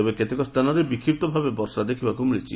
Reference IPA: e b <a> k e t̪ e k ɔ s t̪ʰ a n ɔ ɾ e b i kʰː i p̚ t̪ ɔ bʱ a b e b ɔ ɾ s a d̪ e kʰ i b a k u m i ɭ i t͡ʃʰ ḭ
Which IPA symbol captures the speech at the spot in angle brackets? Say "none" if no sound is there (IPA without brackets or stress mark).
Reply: e